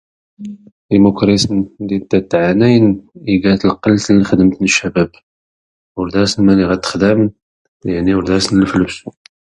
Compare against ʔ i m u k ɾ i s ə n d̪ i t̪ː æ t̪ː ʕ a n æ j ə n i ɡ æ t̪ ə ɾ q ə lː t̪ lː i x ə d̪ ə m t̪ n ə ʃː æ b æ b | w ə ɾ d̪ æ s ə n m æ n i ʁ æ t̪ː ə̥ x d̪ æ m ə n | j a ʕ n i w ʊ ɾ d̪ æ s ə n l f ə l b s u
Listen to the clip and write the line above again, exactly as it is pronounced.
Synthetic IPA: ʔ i m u k ɾ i s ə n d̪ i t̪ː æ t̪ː ʕ a n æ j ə n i ɡ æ t̪ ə l q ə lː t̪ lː i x ə d̪ ə m t̪ n ə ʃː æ b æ b | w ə ɾ d̪ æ s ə n m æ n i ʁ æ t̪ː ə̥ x d̪ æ m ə n | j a ʕ n i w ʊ ɾ d̪ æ s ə n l f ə l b s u